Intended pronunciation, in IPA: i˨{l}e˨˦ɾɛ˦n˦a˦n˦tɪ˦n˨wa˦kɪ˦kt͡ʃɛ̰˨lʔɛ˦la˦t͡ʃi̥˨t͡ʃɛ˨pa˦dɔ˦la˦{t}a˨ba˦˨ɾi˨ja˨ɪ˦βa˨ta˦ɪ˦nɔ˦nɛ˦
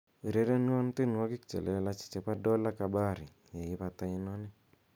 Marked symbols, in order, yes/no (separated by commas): no, no